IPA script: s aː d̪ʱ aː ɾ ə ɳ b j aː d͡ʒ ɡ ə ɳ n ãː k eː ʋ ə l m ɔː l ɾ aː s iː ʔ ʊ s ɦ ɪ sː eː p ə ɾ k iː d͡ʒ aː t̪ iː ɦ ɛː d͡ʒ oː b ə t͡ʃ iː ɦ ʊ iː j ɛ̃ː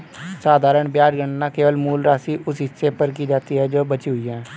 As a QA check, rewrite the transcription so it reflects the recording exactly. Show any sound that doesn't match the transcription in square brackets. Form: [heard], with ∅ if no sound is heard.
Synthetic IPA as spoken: s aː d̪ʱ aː ɾ ə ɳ b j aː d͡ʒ ɡ ə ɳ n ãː k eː ʋ ə l m [uː] l ɾ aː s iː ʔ ʊ s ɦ ɪ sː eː p ə ɾ k iː d͡ʒ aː t̪ iː ɦ ɛː d͡ʒ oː b ə t͡ʃ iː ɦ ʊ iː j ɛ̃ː